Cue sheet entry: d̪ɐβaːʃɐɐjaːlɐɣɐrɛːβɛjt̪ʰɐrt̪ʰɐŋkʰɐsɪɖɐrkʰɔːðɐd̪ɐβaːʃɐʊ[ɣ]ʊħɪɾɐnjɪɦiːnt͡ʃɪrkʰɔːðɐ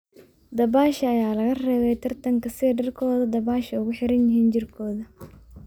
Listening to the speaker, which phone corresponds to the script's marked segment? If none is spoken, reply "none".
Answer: ɣ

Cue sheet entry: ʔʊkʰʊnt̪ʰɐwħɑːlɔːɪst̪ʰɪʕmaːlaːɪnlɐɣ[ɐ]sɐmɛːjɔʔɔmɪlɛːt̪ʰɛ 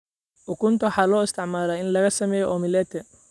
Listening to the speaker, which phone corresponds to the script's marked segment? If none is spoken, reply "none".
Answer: ɐ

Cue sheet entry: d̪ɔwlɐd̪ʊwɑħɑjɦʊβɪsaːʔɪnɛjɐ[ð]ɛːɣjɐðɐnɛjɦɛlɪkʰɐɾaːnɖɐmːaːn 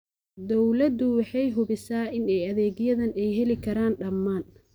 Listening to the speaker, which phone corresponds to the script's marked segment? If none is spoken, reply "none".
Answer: ð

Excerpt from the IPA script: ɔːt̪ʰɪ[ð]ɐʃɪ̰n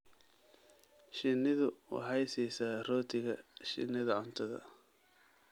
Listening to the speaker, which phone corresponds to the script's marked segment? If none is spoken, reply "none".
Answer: ɣ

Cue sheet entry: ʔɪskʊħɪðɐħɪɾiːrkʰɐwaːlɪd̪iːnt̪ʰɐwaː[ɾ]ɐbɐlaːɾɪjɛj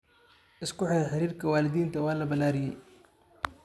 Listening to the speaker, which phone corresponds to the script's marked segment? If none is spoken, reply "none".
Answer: l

